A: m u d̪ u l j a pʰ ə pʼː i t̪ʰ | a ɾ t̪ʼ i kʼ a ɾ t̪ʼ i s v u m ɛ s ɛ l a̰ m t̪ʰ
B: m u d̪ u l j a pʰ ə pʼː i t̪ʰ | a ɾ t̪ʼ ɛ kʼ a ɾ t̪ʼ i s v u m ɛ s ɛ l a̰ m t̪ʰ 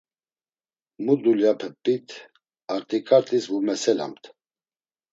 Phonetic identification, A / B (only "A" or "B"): A